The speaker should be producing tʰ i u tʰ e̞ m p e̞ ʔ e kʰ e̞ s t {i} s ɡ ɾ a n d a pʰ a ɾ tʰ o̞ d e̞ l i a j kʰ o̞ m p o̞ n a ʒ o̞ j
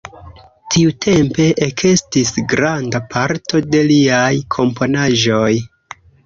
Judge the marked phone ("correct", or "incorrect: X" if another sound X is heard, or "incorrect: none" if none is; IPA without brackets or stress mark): correct